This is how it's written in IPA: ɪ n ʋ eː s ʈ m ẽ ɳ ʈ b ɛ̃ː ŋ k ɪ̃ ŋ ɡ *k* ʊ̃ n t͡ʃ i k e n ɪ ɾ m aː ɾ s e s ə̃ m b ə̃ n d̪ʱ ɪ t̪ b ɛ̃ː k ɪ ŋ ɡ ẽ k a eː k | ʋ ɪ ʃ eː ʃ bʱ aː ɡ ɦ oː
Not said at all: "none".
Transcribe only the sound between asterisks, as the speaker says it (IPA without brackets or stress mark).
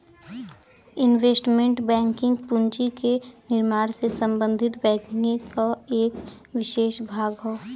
p